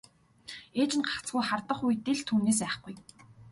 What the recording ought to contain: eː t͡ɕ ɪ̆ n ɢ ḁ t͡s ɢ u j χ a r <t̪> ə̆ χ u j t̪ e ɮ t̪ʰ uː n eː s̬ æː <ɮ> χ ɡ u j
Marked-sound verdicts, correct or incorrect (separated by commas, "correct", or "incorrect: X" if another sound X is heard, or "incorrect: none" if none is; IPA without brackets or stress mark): correct, incorrect: none